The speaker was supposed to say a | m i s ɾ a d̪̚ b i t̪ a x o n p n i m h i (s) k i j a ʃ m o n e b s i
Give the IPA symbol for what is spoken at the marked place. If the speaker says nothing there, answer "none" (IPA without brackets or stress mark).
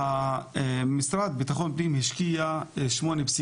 ʃ